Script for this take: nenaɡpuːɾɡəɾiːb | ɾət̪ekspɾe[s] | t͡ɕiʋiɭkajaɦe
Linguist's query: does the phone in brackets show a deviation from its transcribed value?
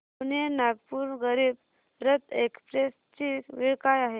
no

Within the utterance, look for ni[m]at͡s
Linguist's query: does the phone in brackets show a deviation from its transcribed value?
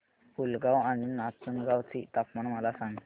yes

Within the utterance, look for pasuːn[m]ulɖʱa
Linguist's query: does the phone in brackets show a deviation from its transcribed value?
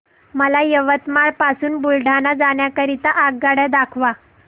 yes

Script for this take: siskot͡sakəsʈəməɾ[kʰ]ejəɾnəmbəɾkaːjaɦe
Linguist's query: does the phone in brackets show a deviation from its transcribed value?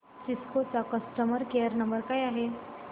yes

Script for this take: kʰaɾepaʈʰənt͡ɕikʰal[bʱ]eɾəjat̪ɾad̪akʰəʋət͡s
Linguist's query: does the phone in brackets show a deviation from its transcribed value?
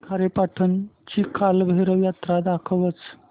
no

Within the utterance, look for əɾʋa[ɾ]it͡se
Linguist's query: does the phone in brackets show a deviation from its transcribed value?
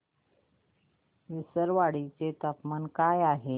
yes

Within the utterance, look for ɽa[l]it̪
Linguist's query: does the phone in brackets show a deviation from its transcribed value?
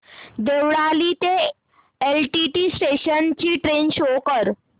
no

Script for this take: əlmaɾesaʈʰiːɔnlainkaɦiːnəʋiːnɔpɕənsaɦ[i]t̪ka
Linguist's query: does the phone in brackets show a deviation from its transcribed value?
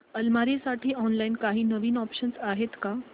yes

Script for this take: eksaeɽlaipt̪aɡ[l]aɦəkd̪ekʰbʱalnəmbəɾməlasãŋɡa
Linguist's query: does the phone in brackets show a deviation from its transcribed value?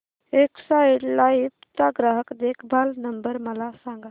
yes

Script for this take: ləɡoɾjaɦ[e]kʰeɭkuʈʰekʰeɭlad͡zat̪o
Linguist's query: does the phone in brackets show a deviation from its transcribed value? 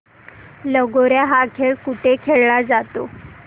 yes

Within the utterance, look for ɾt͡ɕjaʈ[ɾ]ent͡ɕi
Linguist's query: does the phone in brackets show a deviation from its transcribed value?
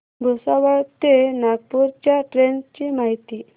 no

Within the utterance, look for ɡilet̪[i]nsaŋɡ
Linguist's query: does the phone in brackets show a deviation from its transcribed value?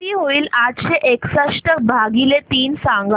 yes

